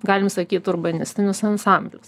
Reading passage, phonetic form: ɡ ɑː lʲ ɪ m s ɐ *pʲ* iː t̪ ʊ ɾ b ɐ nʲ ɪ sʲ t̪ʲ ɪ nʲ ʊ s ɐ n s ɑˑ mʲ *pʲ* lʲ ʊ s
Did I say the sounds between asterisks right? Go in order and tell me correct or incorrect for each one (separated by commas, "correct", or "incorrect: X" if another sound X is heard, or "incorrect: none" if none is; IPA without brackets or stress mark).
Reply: incorrect: kʲ, incorrect: bʲ